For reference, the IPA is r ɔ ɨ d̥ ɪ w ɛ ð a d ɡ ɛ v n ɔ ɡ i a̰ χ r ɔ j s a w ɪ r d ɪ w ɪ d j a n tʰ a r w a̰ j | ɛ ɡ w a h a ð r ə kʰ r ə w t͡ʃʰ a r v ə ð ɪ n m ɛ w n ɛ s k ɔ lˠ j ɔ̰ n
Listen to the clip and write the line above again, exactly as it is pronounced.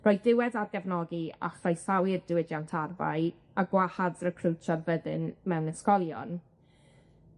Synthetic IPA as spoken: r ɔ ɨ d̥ ɪ w ɛ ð a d ɡ ɛ v n ɔ ɡ i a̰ χ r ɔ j s a w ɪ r d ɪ w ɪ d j a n tʰ a r v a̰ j | a ɡ w a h a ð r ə kʰ r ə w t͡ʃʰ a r v ə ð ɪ n m ɛ w n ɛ s k ɔ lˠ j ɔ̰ n